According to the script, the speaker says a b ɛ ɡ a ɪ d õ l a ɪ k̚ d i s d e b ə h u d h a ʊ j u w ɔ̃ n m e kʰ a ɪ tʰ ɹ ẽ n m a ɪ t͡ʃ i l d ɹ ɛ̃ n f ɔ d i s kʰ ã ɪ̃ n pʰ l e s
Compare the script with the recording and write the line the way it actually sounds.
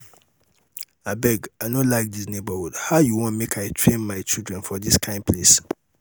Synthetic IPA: a b ɛ ɡ a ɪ n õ l a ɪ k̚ d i s n e b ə h u d h a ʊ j u w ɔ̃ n m e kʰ a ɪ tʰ ɹ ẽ n m a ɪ t͡ʃ i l d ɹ ɛ̃ n f ɔ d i s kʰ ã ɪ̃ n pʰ l e s